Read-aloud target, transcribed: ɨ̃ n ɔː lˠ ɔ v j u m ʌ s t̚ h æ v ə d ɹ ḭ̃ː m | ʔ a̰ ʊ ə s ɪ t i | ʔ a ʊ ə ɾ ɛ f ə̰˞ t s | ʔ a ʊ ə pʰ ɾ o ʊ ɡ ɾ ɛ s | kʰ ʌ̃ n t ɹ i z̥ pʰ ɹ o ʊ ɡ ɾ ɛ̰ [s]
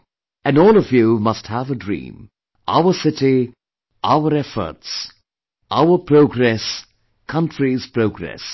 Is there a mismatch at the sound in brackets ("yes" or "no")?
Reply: no